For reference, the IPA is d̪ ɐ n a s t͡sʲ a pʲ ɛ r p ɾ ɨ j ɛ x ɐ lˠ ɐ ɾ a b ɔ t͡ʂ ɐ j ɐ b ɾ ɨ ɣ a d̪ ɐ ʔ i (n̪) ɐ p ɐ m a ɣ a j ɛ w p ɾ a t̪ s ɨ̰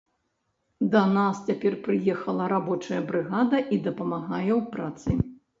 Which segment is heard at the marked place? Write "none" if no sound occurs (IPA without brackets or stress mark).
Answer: d̪